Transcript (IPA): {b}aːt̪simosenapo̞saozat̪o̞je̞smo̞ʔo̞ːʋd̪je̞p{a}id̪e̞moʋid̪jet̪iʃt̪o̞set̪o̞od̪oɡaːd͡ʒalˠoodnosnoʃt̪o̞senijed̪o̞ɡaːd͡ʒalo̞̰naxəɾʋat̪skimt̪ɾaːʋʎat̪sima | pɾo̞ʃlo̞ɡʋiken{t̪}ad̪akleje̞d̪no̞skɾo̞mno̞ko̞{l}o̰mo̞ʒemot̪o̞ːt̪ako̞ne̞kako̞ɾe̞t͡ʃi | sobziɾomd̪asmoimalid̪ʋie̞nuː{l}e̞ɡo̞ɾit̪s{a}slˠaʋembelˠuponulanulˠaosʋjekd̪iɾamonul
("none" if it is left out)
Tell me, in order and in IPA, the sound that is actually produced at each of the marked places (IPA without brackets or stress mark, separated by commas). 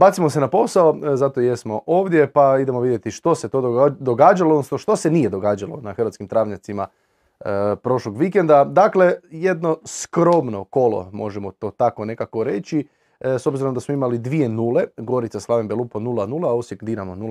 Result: b, a, d̪, l, l, a